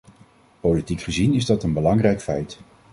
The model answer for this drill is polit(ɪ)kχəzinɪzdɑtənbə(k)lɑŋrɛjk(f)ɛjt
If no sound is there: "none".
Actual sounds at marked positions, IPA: i, none, f

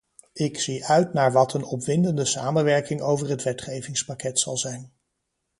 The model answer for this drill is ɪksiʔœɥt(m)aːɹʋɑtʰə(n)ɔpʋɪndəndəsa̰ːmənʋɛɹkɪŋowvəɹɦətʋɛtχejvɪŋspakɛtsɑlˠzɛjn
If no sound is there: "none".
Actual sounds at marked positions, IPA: n, n

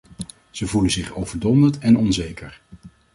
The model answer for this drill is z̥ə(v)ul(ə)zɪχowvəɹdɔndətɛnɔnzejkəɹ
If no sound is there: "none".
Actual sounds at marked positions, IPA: v, ə

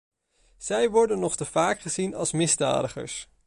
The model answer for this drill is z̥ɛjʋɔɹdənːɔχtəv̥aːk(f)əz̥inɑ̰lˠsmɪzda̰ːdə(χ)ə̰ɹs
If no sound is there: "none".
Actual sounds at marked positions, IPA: χ, χ

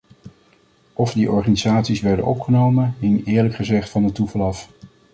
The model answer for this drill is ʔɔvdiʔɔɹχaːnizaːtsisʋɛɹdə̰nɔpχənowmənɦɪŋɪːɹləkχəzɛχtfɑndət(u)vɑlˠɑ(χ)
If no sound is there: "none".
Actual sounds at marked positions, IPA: u, f

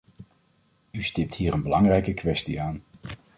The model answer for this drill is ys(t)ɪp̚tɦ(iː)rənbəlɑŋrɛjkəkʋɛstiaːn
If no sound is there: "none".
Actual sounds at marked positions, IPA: t, iː

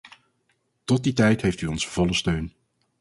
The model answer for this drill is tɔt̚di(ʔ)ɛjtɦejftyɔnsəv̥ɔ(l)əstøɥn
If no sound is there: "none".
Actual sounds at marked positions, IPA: t, l

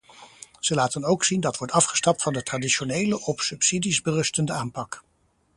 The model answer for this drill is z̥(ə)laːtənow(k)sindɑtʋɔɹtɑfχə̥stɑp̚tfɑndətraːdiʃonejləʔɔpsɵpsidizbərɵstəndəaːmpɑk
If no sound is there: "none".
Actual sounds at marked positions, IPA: ə, k

